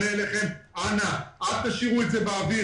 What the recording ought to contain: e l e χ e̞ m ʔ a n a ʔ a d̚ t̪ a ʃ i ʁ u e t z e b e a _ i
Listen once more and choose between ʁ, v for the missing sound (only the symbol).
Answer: v